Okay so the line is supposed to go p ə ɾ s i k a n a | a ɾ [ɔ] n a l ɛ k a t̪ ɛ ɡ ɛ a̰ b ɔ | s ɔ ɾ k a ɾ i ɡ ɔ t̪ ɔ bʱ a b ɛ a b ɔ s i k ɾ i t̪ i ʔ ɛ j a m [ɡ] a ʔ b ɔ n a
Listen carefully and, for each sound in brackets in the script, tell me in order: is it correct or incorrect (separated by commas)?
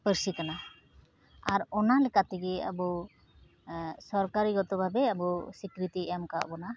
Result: correct, incorrect